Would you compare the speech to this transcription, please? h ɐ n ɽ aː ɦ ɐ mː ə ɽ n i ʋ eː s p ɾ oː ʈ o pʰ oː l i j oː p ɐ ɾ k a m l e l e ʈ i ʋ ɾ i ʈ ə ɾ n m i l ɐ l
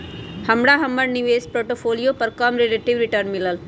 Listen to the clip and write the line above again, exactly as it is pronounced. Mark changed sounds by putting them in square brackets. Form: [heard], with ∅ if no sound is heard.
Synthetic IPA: h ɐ [m] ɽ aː ɦ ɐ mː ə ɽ n i ʋ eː s p ɾ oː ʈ o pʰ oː l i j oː p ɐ ɾ k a m [ɾ] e l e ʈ i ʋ ɾ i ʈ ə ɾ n m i l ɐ l